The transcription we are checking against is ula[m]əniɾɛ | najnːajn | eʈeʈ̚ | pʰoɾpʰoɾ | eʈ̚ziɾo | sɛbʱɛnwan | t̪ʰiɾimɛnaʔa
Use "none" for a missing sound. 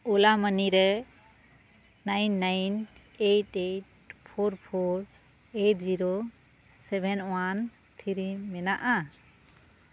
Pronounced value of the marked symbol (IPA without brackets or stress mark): m